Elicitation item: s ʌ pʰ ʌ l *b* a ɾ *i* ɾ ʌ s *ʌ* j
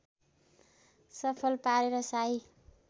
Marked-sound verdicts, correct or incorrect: incorrect, incorrect, incorrect

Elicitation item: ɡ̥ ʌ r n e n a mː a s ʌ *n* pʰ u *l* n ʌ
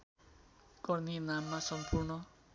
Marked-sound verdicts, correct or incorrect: incorrect, incorrect

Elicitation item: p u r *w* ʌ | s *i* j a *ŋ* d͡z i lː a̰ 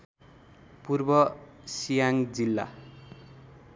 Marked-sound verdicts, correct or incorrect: incorrect, correct, correct

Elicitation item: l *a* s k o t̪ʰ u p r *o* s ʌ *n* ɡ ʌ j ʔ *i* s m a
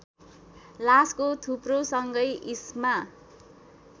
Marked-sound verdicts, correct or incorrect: correct, correct, incorrect, correct

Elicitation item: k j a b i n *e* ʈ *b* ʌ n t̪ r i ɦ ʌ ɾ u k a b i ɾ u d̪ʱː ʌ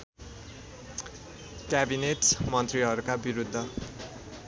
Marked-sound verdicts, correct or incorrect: correct, incorrect

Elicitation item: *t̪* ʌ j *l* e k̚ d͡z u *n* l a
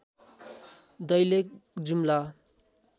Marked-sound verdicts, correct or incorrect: incorrect, correct, incorrect

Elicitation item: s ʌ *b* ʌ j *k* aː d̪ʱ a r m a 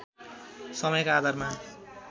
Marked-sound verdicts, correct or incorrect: incorrect, correct

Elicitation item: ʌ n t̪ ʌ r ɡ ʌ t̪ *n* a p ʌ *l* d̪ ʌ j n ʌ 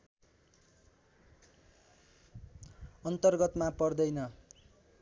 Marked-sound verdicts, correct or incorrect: incorrect, incorrect

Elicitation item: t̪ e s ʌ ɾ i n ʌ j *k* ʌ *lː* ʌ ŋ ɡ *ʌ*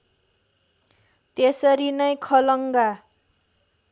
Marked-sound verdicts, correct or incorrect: incorrect, incorrect, incorrect

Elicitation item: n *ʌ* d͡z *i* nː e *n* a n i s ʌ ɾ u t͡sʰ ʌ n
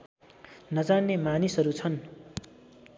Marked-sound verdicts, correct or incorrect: correct, incorrect, incorrect

